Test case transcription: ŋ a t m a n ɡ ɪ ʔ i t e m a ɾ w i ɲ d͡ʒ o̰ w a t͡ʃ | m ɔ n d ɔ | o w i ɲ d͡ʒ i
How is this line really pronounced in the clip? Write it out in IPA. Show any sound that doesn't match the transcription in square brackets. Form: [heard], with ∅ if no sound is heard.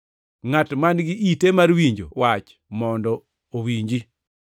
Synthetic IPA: ŋ a t m a n ɡ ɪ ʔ i t e m a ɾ w i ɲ d͡ʒ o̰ w a t͡ʃ | m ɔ n d ɔ | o w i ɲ d͡ʒ i